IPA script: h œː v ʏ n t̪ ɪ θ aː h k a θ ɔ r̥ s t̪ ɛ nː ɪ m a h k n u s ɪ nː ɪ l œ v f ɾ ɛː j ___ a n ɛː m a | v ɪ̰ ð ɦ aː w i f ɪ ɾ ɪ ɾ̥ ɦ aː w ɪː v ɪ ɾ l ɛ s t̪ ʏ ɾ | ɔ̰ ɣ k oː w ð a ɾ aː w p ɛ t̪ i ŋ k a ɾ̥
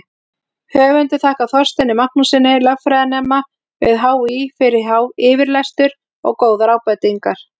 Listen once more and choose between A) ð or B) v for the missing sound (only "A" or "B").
A